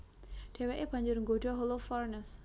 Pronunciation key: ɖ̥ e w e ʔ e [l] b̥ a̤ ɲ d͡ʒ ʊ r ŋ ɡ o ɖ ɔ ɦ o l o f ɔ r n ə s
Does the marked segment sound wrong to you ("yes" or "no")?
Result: yes